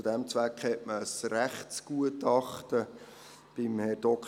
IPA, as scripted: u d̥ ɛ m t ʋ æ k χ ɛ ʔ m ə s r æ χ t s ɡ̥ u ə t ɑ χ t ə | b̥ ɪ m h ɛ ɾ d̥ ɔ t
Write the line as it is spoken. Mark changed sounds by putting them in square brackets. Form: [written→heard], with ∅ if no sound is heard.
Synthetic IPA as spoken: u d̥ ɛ m [t→t͡s] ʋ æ k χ ɛ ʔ m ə s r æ χ t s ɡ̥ u ə t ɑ χ t ə | b̥ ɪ m h ɛ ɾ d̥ ɔ [t→k]